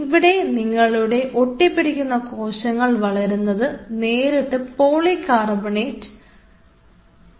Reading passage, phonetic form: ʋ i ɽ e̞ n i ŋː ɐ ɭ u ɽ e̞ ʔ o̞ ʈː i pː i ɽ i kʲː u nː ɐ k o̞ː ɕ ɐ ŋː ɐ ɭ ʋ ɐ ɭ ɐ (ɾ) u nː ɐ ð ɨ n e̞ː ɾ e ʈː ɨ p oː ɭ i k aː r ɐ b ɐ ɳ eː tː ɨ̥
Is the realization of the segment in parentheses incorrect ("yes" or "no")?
no